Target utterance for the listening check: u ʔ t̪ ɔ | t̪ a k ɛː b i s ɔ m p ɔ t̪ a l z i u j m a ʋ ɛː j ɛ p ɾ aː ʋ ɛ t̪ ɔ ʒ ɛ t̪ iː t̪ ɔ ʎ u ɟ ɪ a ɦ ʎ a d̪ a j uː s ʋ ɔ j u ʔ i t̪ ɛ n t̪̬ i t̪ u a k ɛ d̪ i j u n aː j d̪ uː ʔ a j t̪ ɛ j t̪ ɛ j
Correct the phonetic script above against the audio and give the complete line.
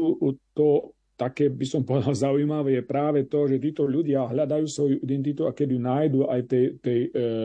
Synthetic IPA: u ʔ t̪ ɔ | t̪ a k ɛː b i s ɔ m p ɔ d̪ a l z a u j m a ʋ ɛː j ɛ p ɾ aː ʋ ɛ t̪ ɔ ʒ ɛ t̪ iː t̪ ɔ ʎ u ɟ ɪ a ɦ ʎ a d̪ a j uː s ʋ ɔ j u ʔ i d̪ ɛ n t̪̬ i t̪ u a k ɛ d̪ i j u n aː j d̪ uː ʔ a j t̪ ɛ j t̪ ɛ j